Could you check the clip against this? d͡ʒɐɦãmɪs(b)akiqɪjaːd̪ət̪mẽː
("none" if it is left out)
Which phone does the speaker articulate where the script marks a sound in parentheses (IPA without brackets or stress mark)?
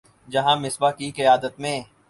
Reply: b